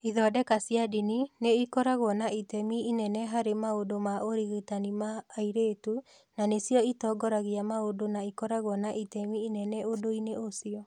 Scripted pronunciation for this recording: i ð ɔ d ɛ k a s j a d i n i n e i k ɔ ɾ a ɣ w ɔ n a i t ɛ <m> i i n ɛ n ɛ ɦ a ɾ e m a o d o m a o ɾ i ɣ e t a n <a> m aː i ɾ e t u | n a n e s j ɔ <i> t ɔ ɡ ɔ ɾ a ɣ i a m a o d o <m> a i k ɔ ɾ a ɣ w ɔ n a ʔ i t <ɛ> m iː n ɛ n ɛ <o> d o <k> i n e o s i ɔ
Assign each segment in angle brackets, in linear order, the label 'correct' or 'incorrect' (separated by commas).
correct, incorrect, correct, incorrect, correct, correct, incorrect